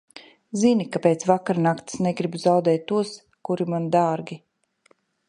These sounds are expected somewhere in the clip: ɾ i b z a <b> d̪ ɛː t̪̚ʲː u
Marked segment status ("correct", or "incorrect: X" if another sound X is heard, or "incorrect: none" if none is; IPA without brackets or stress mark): incorrect: w